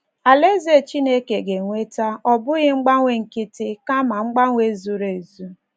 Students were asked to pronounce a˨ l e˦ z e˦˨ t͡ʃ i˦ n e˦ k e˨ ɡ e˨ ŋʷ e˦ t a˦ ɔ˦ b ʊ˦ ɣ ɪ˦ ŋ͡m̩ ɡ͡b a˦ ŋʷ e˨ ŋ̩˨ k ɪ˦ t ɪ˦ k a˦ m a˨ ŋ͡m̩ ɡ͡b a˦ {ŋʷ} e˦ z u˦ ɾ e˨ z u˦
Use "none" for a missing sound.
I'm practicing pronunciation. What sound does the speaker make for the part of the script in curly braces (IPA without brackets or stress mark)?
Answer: ŋʷ